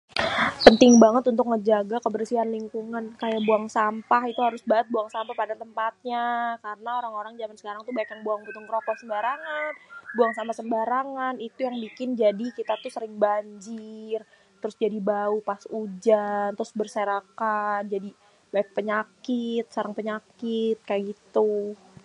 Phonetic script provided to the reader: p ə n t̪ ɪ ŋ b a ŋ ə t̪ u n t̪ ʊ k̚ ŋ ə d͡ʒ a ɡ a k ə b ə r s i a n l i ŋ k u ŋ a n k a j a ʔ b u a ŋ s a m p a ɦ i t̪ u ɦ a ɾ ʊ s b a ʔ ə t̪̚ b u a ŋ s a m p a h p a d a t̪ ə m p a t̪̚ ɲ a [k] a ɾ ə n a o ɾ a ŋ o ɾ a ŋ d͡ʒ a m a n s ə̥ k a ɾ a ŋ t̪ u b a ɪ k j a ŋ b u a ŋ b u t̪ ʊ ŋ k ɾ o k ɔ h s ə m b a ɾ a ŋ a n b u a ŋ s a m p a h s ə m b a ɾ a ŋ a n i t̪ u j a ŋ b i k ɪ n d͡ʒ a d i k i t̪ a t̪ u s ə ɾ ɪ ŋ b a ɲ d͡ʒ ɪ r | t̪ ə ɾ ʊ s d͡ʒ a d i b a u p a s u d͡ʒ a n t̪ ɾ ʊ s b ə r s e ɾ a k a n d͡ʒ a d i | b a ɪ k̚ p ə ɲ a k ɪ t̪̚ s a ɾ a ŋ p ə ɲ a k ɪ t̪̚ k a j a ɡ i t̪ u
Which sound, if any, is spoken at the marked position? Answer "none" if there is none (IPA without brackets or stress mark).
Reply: k